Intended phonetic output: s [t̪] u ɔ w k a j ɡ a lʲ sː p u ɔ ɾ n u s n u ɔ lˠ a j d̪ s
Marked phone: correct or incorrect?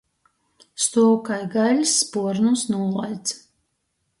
correct